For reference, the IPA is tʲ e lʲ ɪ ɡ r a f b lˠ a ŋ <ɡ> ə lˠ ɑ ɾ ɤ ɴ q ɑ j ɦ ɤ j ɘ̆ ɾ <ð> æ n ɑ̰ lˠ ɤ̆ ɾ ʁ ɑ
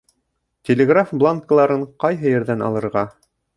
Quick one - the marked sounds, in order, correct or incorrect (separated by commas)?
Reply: incorrect, correct